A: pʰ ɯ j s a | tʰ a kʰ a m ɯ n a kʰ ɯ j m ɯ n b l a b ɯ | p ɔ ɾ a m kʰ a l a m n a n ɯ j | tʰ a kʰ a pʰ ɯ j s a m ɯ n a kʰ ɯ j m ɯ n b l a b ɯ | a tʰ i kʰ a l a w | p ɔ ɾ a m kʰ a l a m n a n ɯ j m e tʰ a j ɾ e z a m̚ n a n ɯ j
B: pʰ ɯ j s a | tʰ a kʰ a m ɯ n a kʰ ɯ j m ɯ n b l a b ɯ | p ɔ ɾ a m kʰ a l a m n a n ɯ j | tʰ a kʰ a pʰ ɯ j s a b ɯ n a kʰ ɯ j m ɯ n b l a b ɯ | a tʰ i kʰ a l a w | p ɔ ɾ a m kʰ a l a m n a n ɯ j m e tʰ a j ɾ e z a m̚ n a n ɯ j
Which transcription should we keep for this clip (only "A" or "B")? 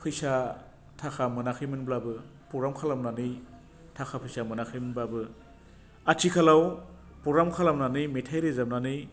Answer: A